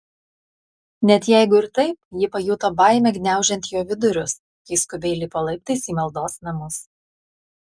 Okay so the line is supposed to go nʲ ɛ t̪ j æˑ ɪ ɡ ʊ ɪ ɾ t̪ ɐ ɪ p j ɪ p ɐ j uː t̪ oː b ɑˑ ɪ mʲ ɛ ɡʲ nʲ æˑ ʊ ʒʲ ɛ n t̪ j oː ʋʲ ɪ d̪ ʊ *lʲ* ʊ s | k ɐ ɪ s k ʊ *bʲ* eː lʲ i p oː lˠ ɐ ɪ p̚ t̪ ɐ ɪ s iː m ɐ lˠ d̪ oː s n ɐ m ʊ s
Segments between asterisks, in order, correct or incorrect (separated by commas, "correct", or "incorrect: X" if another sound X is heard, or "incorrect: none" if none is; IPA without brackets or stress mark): incorrect: ɾʲ, correct